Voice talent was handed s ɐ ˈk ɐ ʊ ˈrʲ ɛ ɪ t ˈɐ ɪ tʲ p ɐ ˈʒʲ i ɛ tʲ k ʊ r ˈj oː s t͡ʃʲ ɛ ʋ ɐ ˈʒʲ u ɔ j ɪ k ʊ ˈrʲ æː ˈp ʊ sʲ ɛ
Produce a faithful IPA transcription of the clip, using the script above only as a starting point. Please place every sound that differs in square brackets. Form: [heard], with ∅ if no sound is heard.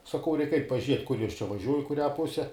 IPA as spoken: s ɐ ˈk ɐ ʊ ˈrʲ ɛ ɪ [k] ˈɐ ɪ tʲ p ɐ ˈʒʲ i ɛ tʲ k ʊ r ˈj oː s t͡ʃʲ ɛ ʋ ɐ ˈʒʲ u ɔ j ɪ k ʊ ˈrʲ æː ˈp ʊ sʲ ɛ